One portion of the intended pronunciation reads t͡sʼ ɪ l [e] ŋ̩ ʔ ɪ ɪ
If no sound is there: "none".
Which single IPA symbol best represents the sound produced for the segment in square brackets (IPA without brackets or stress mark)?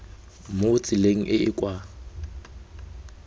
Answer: e